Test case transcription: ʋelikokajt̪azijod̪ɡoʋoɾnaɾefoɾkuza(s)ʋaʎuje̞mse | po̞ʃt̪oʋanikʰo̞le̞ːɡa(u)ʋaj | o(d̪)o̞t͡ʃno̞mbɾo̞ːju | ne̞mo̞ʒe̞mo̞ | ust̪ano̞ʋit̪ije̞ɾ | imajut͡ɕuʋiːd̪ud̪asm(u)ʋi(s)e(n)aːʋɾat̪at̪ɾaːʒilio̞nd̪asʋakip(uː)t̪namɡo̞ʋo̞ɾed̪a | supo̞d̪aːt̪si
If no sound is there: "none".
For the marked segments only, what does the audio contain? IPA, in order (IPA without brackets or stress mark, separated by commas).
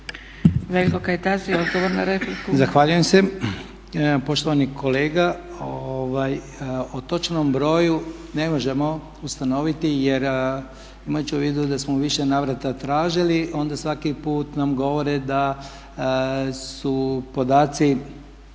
x, o, t̪, o, ʃ, n, uː